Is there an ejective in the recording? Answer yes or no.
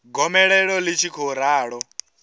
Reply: no